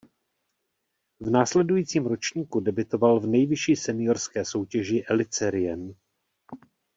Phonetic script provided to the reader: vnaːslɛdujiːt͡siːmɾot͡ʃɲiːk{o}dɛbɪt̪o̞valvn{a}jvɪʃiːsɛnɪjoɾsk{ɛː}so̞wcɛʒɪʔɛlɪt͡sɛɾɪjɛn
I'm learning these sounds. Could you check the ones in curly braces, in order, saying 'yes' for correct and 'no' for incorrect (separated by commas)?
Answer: no, no, yes